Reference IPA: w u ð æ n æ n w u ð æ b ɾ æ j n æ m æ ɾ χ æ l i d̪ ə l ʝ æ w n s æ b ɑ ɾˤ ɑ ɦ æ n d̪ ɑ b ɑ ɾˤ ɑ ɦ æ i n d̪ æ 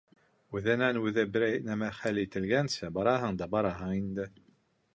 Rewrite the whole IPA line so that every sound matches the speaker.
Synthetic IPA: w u ð æ n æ n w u ð æ b ɾ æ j n æ m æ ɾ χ æ l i t̪ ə l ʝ æ n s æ b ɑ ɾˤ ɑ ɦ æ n d̪ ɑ b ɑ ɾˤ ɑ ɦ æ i n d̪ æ